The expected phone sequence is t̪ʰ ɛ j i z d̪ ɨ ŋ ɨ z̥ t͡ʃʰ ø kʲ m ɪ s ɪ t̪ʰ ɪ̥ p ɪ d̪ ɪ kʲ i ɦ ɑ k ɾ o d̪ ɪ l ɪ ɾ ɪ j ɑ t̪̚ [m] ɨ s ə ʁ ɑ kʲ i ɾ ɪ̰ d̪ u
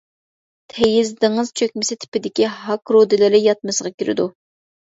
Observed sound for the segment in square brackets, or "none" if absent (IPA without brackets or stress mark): m